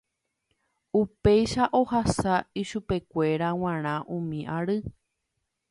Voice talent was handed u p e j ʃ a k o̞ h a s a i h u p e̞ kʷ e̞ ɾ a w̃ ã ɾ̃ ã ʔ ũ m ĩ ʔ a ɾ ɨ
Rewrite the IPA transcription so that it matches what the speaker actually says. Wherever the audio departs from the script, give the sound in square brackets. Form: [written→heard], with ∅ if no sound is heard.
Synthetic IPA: u p e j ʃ a [k→ʔ] o̞ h a s a i [h→ʃ] u p e̞ kʷ e̞ ɾ a w̃ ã ɾ̃ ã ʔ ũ m ĩ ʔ a ɾ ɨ

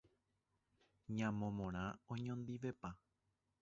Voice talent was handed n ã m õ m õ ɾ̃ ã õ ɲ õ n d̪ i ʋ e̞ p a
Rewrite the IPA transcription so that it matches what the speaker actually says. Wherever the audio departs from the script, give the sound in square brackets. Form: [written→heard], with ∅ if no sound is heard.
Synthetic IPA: [n→ɲ] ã m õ m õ ɾ̃ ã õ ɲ õ n d̪ i ʋ e̞ p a

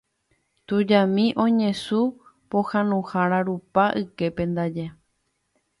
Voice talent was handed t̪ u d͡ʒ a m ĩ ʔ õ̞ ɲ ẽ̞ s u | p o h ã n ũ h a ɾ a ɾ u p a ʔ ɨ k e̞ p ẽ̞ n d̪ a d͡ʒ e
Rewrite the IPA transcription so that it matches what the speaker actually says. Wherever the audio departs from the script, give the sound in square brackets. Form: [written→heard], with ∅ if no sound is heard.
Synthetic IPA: t̪ u d͡ʒ a m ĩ ʔ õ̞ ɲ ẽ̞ s u | p o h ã n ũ h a ɾ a ɾ u p a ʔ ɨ k e̞ p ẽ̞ n d̪ a d͡ʒ e

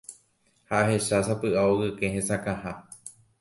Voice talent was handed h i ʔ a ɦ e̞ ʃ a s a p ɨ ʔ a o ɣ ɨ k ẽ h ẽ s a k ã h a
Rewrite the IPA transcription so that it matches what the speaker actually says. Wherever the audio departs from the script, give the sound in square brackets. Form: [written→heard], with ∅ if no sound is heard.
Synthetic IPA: h [i→a] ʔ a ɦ e̞ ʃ a s a p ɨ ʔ a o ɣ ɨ k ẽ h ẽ s a k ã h a

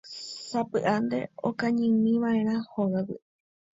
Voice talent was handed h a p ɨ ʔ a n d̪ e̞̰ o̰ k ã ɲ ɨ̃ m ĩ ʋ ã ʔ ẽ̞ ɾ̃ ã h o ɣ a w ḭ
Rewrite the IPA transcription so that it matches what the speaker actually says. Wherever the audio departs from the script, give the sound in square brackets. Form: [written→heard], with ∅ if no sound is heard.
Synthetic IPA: [h→s] a p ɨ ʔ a n d̪ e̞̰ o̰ k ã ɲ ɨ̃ m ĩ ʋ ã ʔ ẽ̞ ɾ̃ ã h o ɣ a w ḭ

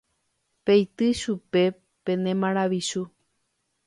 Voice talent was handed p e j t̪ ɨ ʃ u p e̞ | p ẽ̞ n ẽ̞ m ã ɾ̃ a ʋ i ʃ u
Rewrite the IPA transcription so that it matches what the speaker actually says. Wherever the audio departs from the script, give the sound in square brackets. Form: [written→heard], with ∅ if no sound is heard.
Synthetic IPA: p e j t̪ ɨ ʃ u p e̞ | p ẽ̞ n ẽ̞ m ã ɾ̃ a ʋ i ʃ u

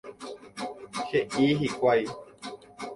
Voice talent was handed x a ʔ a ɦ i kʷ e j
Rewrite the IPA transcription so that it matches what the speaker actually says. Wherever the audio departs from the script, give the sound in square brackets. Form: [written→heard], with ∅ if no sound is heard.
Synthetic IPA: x [a→e] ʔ [a→i] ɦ i kʷ [e→a] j

